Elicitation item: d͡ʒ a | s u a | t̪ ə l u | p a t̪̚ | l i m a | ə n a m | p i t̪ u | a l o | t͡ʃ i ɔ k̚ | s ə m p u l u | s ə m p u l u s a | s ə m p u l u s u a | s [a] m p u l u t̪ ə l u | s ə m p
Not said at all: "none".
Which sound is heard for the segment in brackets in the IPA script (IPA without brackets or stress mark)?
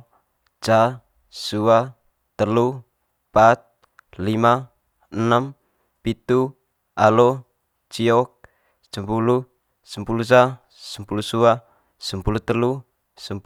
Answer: ə